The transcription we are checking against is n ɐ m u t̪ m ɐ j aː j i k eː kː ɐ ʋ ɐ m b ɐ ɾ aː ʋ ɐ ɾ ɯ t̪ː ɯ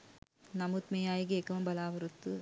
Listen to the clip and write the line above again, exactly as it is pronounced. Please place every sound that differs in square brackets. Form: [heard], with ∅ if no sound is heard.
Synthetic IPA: n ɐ m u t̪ m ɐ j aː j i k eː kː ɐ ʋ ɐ m b ɐ [l] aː ʋ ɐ ɾ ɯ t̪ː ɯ